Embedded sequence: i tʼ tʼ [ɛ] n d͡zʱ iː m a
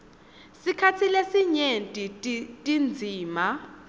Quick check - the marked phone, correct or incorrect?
incorrect